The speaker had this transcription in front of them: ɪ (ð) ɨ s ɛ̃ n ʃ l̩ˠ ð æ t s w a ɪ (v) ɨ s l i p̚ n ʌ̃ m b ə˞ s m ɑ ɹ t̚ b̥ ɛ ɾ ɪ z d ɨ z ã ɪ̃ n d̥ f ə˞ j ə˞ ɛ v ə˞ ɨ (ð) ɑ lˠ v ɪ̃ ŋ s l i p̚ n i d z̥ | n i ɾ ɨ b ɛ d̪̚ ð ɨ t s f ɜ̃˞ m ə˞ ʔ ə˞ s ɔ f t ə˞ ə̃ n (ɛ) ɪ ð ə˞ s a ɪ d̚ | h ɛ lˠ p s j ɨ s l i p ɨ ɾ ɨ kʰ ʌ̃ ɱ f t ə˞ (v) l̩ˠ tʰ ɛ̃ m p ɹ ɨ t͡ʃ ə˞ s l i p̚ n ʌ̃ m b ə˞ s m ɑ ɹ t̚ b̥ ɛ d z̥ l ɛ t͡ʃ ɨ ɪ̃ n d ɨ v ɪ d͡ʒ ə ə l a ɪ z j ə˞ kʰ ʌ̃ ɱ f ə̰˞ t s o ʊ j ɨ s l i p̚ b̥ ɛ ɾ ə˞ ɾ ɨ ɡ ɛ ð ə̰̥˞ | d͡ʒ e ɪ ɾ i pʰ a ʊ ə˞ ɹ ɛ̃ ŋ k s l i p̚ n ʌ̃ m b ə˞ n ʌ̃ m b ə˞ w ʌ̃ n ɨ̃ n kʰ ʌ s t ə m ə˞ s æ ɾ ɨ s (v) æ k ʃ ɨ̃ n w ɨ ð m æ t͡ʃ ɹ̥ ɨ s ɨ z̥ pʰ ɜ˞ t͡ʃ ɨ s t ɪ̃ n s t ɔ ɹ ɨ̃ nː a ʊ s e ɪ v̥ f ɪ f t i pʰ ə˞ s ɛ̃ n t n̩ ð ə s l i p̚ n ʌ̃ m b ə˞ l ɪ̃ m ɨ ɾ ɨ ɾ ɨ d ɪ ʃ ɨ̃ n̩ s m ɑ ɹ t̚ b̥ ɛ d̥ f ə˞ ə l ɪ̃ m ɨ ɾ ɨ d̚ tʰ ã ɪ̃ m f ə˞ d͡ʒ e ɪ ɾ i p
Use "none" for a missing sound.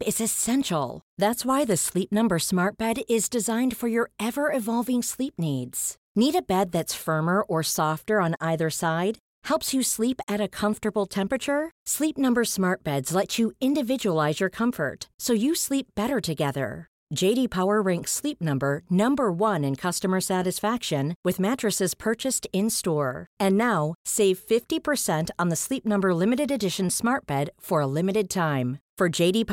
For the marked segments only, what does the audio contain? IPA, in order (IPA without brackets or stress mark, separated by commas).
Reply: z, ð, v, a, b, f